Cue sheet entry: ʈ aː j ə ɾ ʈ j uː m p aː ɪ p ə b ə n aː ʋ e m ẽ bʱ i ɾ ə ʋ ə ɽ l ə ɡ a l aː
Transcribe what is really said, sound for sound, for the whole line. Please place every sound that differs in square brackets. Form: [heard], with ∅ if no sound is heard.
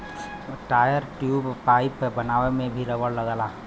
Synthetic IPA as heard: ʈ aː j ə ɾ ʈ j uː [b] p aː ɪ p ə b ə n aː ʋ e m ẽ bʱ i ɾ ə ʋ ə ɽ l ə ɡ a l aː